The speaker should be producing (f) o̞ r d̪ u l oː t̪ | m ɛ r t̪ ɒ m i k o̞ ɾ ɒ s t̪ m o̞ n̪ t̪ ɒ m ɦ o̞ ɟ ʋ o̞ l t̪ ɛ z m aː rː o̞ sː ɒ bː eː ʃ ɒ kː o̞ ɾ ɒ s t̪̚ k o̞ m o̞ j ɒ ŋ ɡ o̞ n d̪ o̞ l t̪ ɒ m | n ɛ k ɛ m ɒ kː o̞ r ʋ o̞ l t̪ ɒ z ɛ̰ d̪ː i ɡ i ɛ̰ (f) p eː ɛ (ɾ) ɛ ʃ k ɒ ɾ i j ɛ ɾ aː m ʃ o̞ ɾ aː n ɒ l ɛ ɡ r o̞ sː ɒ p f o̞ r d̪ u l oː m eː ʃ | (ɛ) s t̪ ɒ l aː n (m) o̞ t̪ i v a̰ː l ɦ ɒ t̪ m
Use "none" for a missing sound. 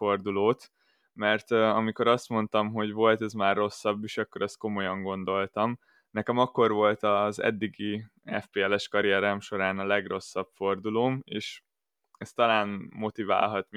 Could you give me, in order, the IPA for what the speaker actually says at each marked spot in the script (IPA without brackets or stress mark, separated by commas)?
f, f, l, ɛ, m